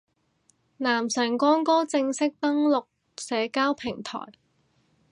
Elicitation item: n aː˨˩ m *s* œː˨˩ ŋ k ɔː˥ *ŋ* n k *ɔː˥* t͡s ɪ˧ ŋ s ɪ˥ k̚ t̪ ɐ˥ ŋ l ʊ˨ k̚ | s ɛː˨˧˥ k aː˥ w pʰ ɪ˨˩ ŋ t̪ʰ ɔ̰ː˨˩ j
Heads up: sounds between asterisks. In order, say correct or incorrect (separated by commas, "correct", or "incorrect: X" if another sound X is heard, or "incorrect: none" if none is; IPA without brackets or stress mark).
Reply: correct, incorrect: none, correct